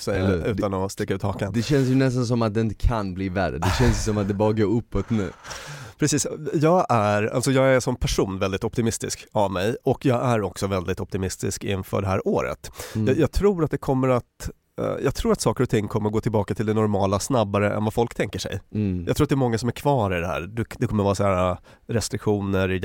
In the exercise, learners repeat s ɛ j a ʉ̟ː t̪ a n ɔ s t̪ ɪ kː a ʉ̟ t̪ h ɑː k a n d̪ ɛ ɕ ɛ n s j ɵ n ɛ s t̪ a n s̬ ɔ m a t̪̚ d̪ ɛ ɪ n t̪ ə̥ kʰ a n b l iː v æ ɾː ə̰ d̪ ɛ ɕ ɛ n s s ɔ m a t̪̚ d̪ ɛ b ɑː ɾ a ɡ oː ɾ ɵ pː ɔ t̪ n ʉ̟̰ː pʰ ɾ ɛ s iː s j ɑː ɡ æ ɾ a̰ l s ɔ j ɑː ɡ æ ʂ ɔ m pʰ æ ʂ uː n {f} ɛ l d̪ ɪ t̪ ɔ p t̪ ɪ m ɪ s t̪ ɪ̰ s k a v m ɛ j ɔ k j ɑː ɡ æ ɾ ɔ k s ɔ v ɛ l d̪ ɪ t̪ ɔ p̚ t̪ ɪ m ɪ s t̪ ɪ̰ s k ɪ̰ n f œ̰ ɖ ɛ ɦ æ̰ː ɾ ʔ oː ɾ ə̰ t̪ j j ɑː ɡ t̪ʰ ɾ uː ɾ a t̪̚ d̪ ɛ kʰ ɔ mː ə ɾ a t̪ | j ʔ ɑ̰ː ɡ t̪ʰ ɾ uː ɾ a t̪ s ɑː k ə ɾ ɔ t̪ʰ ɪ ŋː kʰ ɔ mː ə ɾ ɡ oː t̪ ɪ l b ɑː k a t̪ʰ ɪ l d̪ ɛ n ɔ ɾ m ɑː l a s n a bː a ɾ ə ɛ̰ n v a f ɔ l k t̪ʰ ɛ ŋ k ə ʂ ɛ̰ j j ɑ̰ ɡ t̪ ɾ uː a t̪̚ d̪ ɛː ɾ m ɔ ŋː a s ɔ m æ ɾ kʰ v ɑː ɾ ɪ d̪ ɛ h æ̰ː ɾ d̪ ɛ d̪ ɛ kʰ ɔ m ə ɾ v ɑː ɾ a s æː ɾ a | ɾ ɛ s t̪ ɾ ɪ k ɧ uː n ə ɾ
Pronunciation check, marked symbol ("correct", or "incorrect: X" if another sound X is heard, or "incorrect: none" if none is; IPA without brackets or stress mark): incorrect: v